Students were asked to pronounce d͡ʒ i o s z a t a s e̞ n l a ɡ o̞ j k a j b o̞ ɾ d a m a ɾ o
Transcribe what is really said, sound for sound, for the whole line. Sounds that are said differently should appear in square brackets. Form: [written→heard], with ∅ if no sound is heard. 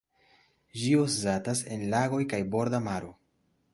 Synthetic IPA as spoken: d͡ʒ i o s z a t a s e̞ n l a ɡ o̞ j k a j b o̞ ɾ d a m a ɾ o